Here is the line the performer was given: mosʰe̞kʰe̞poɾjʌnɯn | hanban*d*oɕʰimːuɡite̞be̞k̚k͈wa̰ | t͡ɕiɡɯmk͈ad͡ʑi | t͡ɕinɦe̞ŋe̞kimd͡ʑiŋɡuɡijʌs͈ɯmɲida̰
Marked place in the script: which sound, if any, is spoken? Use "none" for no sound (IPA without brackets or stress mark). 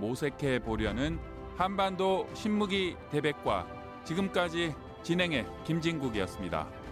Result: d